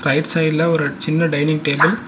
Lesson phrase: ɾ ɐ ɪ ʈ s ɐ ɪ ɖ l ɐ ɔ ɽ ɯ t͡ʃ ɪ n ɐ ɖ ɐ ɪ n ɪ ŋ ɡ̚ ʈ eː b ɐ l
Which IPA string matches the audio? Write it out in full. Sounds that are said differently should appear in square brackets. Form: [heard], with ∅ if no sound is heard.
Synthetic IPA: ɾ ɐ ɪ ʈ s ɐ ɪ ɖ l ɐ ɔ [ɾ] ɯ t͡ʃ ɪ [nː] ɐ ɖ ɐ ɪ n ɪ ŋ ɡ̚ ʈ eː b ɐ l